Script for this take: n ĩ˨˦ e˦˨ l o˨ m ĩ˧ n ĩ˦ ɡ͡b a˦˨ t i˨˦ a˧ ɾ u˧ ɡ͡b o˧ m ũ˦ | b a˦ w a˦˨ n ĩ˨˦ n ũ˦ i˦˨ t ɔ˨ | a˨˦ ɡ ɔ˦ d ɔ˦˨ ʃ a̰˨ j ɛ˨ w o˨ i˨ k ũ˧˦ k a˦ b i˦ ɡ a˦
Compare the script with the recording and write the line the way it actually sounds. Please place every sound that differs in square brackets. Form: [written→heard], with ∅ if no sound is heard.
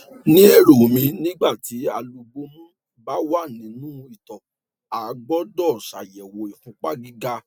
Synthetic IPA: n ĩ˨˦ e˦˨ [l→ɾ] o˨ m ĩ˧ n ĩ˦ ɡ͡b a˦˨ t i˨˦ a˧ [ɾ→l] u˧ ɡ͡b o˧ m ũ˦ | b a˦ w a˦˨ n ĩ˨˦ n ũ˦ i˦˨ t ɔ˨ | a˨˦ [ɡ→ɡ͡b] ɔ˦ d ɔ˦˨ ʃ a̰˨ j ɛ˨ w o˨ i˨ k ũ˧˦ [k→k͡p] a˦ [b→ɡ] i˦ ɡ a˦